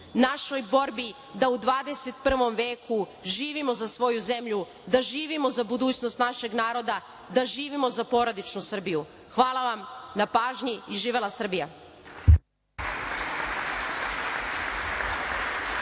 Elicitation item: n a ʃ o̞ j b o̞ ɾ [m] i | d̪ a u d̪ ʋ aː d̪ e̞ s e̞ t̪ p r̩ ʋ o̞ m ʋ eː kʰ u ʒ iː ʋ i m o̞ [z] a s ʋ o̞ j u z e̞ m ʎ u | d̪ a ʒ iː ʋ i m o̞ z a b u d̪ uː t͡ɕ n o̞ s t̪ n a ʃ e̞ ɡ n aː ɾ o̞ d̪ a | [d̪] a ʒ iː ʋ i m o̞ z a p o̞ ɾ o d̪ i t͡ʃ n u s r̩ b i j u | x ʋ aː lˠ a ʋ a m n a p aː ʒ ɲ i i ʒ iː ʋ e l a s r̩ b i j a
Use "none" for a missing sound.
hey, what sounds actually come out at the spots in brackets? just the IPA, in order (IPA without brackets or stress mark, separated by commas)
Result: b, z, d̪